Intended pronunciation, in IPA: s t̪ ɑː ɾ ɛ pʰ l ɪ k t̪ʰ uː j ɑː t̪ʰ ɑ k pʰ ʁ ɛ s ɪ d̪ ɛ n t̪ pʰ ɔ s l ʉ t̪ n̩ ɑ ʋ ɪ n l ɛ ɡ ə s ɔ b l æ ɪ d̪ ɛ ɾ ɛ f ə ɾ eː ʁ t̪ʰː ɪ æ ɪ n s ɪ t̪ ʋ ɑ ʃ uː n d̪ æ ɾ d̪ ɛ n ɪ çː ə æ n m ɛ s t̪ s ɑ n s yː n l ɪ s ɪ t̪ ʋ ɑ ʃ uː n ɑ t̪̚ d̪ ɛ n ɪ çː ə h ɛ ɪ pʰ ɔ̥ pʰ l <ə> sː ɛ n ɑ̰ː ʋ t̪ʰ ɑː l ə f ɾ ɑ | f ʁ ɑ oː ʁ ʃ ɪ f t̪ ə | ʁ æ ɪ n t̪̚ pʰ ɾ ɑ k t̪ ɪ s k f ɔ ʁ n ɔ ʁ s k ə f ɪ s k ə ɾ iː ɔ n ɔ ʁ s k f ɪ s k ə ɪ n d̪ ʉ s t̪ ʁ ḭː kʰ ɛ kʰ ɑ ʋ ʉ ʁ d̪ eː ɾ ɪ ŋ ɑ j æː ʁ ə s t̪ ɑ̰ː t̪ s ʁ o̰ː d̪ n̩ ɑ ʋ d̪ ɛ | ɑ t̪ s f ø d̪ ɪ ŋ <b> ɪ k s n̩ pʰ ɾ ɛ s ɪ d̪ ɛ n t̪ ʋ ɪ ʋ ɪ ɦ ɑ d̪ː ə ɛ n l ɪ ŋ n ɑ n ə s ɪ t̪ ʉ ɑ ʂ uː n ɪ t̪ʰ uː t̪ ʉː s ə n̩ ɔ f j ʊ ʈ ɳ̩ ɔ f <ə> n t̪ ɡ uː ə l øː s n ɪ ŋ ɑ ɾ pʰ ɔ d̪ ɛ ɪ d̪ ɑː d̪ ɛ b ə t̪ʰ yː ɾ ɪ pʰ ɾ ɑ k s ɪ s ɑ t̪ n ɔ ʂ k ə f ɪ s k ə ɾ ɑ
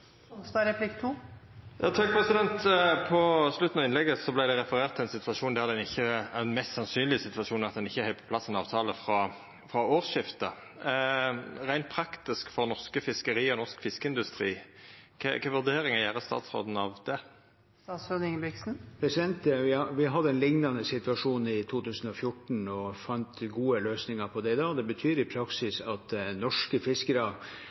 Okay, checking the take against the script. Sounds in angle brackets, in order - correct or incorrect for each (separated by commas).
incorrect, correct, incorrect